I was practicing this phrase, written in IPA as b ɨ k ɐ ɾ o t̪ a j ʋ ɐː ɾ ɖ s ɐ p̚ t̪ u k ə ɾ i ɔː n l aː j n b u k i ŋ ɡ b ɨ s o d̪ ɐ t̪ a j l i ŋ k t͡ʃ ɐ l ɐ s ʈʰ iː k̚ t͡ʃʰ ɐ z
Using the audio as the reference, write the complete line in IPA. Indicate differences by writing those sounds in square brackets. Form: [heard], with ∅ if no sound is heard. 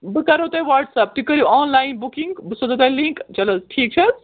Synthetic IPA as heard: b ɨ k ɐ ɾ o t̪ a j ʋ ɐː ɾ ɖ s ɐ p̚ t̪ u k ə ɾ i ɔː n l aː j n b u k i ŋ ɡ b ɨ s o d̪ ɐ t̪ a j l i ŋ k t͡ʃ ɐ l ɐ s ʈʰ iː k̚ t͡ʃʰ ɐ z